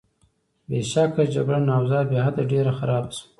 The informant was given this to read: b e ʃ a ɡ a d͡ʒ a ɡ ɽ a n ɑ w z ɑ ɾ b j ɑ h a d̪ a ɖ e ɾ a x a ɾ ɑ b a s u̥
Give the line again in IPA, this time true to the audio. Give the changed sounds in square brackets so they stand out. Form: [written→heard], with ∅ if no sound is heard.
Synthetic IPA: b e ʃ a [ɡ→k] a d͡ʒ a ɡ ɽ a n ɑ w z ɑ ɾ b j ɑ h a d̪ a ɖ e ɾ a x a ɾ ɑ b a s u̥